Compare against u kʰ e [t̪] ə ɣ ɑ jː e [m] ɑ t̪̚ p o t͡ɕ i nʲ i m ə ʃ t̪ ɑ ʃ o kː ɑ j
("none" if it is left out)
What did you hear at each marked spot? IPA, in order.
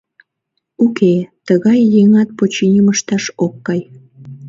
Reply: t̪, ŋ

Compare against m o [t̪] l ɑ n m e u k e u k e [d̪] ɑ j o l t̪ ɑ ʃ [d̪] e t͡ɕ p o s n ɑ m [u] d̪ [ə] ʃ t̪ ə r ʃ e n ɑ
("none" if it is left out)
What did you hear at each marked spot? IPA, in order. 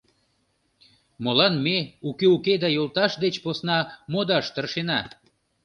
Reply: none, d̪, d̪, o, ɑ

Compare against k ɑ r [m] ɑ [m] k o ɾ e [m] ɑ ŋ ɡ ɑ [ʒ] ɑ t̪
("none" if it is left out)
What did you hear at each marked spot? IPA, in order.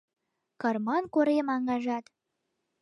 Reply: m, n, m, ʒ

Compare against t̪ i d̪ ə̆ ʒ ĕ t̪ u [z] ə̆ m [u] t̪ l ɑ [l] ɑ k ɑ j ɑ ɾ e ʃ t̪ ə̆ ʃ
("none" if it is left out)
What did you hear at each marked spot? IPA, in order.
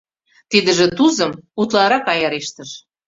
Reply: z, u, ɾ

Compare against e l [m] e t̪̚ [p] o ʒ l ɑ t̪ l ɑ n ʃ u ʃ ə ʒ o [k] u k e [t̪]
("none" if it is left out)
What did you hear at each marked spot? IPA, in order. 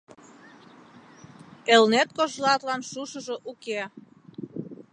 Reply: n, k, ʔ, none

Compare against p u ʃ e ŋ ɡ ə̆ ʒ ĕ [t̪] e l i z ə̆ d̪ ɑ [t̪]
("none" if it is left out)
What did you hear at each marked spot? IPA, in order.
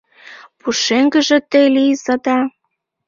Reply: t̪, none

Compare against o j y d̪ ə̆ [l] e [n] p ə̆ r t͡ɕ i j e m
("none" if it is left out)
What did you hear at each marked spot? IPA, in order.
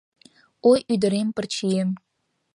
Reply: ɾ, m

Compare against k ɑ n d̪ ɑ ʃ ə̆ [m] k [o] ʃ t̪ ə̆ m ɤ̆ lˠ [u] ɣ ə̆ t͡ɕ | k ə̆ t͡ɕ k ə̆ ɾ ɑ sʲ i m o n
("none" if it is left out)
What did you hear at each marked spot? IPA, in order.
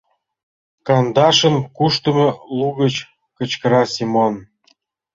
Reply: n, u, u

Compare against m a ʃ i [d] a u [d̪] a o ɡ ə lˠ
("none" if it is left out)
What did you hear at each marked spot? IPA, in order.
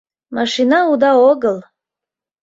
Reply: n, d̪

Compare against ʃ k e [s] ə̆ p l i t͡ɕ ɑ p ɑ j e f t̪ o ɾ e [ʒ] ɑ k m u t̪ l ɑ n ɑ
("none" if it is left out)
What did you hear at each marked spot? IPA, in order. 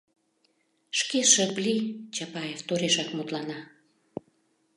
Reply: ʃ, ʃ

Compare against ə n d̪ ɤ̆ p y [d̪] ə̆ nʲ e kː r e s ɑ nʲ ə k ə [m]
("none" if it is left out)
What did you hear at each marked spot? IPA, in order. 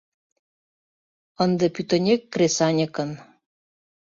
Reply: t̪, n

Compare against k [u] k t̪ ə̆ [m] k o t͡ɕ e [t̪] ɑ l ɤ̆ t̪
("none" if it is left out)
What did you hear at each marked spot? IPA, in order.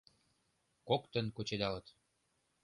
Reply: o, n, d̪

